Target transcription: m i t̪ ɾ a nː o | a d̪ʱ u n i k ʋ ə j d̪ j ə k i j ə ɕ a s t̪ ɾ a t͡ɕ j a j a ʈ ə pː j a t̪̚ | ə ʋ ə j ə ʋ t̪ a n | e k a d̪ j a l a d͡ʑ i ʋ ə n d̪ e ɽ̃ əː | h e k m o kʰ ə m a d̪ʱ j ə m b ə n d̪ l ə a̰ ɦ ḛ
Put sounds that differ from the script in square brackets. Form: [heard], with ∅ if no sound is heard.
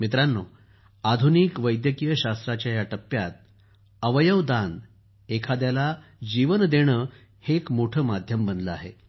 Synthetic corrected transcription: m i t̪ ɾ a nː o | a d̪ʱ u n i k ʋ ə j d̪ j ə k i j ə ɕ a s t̪ ɾ a t͡ɕ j a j a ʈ ə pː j a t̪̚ | ə ʋ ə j ə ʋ [d̪] a n | e [kʰ] a d̪ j a l a d͡ʑ i ʋ ə n d̪ e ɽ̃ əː | h e k m o [ʈʰ] ə m a d̪ʱ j ə m b ə n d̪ l ə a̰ ɦ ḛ